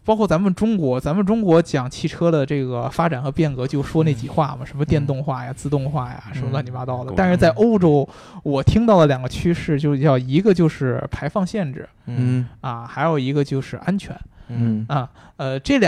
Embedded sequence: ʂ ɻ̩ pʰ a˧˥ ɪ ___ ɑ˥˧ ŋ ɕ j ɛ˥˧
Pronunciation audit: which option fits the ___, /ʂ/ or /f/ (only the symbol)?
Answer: f